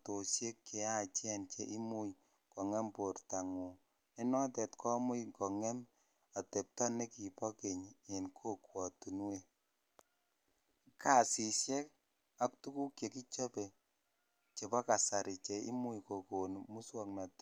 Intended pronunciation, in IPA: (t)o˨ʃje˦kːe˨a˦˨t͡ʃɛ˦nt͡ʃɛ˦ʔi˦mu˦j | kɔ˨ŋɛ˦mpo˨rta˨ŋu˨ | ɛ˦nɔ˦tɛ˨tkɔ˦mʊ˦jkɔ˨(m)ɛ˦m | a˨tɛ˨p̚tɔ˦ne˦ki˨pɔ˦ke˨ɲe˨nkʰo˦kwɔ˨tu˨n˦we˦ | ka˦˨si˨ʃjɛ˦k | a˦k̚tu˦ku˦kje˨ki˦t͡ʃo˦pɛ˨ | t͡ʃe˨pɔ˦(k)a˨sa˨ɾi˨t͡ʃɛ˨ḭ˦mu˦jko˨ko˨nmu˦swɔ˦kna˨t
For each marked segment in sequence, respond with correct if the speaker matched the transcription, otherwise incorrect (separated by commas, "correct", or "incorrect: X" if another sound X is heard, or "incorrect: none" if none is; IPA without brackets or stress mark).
correct, incorrect: ŋ, correct